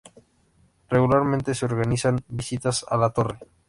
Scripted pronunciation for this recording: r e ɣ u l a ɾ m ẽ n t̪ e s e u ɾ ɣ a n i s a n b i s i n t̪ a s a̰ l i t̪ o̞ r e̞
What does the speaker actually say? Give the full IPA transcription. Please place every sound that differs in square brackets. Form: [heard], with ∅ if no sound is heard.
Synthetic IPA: r e ɣ u l a ɾ m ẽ n t̪ e s e [o] ɾ ɣ a n i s a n b i s i [∅] t̪ a s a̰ l [a] t̪ o̞ r e̞

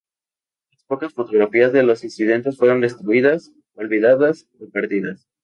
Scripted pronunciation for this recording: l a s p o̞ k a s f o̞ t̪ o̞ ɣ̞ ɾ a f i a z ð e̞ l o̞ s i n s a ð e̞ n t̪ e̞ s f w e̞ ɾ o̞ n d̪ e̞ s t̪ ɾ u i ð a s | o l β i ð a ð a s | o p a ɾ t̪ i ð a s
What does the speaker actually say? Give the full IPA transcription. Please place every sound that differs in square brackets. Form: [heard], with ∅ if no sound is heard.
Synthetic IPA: l a s p o̞ k a s f o̞ t̪ o̞ ɣ̞ ɾ a f i a z ð e̞ l o̞ s i n s [i] ð e̞ n t̪ e̞ s f w e̞ ɾ o̞ n d̪ e̞ s t̪ ɾ u i ð a s | o l β i ð a ð a s | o p a ɾ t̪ i ð a s

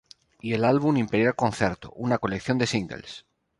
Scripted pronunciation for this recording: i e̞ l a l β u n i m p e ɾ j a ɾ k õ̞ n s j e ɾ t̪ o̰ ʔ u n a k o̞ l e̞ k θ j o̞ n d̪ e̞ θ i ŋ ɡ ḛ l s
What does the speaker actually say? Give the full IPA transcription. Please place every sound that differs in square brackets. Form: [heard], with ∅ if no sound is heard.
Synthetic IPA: i e̞ l a l β u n i m p e ɾ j a [l] k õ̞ n [θ] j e ɾ t̪ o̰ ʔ u n a k o̞ l e̞ k θ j o̞ n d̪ e̞ [s] i ŋ ɡ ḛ l s

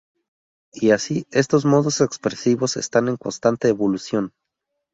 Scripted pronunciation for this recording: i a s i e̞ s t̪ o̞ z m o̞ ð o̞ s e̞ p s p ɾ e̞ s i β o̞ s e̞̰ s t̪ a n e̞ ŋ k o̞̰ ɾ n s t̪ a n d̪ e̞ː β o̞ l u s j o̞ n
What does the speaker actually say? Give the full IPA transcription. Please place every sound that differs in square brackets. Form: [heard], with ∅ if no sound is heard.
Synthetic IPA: i a s i e̞ s t̪ o̞ z m o̞ ð o̞ s e̞ [k] s p ɾ e̞ s i β o̞ s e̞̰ s t̪ a n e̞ ŋ k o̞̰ [∅] n s t̪ a n [t̪] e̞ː β o̞ l u s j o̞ n

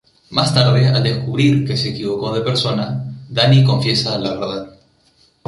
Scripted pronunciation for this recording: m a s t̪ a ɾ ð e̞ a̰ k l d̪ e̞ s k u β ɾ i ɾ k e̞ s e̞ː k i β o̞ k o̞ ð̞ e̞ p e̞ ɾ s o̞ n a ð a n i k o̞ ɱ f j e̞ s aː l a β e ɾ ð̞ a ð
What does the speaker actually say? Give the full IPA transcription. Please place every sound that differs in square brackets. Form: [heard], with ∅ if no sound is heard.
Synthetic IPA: m a s t̪ a ɾ ð e̞ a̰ [∅] l d̪ e̞ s k u β ɾ i ɾ k e̞ s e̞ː k i β o̞ k o̞ ð̞ e̞ p e̞ ɾ s o̞ n a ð a n i k o̞ ɱ f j e̞ s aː l a β e ɾ ð̞ a ð

